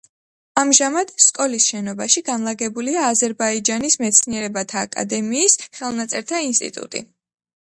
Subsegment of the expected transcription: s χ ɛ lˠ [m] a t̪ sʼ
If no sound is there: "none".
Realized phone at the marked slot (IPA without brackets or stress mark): n